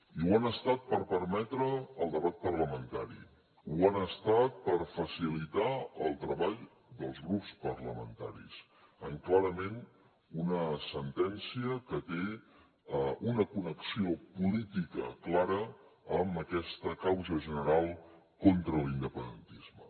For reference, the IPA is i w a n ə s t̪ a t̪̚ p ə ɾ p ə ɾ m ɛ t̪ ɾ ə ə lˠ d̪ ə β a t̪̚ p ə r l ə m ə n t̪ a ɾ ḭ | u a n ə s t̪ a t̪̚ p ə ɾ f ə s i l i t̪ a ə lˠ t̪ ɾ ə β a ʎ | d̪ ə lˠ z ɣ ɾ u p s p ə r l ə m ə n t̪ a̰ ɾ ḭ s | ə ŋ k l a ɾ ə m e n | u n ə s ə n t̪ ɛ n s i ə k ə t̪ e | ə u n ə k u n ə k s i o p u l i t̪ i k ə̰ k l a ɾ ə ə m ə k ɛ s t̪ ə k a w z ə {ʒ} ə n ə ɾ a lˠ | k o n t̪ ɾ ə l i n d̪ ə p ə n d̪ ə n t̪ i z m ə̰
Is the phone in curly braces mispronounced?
no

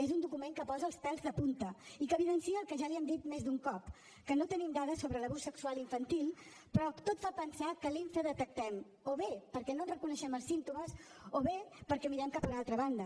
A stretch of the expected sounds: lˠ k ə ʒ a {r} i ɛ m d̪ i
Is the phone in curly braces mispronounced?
yes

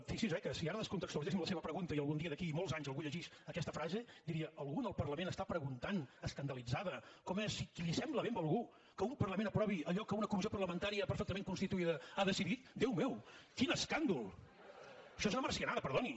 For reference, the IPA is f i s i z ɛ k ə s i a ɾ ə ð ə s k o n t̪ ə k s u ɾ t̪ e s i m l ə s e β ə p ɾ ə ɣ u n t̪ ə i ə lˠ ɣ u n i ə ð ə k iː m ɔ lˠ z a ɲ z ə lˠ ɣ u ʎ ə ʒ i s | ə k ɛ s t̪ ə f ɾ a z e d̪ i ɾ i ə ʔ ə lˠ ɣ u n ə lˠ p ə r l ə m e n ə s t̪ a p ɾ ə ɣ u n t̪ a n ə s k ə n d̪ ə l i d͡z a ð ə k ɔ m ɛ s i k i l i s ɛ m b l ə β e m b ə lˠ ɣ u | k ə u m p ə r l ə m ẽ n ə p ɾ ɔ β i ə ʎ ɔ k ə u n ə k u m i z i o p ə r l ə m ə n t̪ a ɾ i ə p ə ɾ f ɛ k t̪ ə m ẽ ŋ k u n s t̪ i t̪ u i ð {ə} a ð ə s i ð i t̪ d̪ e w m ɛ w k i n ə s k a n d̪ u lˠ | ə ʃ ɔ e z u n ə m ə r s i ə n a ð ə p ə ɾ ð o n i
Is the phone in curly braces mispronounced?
no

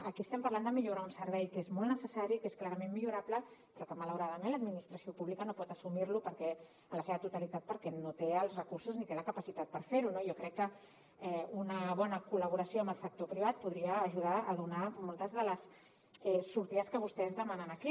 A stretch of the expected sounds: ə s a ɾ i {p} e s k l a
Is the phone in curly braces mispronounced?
yes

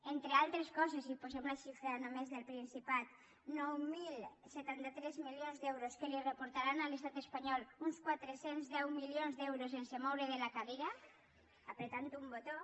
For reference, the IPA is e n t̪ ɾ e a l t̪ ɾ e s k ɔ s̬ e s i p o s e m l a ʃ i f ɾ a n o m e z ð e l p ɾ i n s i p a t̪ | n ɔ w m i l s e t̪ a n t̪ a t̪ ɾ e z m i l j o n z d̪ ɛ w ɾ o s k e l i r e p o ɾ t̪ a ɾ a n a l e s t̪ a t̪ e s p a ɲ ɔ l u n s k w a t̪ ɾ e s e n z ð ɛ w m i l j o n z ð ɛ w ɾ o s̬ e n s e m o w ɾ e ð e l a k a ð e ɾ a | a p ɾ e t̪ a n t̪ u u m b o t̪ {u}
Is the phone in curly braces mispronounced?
yes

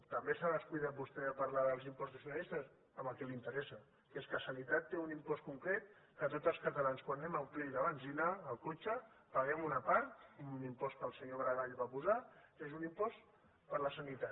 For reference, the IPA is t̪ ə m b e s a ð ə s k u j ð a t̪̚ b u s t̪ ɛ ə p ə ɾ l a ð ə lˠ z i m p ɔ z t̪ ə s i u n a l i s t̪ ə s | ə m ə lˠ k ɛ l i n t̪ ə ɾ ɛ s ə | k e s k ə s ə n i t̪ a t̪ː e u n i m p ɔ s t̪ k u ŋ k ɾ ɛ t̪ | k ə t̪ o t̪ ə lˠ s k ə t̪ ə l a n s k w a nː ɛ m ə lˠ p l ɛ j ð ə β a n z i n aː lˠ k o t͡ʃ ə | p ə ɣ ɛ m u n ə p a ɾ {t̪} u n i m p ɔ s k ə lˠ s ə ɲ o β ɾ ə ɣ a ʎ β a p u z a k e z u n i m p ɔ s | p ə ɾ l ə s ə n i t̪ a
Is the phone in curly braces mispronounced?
no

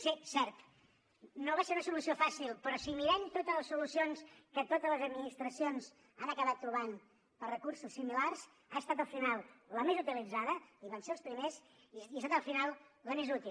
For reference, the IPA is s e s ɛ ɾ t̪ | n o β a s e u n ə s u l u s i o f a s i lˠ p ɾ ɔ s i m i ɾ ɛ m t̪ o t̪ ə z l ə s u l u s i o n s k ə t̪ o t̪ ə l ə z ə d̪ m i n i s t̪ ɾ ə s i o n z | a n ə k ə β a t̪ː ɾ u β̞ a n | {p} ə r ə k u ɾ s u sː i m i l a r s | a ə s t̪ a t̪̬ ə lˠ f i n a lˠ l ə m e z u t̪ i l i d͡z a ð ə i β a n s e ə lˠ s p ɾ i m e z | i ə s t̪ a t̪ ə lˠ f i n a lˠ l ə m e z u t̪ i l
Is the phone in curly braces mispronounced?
no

